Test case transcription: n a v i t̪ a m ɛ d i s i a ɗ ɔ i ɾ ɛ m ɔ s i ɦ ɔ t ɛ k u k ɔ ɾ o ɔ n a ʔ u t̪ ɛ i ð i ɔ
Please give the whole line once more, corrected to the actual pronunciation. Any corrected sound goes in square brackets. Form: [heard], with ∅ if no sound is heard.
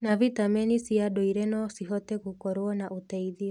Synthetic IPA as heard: n a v i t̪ a m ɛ [n] i s i a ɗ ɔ i ɾ ɛ [n] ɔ s i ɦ ɔ t ɛ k u k ɔ ɾ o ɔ n a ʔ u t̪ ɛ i ð i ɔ